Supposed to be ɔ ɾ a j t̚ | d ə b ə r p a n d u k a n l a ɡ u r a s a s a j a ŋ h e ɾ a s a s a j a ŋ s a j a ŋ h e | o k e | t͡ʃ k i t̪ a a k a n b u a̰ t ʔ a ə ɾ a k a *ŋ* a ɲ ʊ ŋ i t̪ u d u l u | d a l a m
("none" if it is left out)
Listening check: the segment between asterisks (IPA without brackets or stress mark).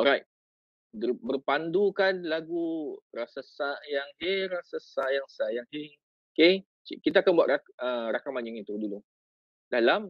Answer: m